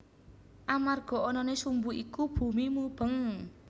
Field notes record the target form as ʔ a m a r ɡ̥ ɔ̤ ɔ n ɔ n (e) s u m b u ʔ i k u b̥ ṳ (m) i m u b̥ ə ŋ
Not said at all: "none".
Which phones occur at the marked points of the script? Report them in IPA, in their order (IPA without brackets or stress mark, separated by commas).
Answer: e, m